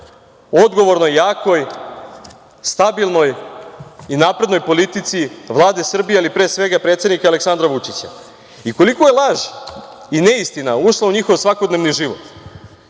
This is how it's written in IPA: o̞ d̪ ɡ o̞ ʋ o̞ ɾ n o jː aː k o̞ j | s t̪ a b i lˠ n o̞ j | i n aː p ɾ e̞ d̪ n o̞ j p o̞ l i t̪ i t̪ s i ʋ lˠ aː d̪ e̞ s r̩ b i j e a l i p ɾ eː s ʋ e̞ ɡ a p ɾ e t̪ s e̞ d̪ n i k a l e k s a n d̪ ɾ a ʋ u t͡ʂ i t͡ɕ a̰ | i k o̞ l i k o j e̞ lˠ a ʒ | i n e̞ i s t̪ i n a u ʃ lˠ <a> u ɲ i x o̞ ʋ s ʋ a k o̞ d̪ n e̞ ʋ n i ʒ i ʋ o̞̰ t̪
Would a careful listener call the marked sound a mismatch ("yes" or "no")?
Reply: no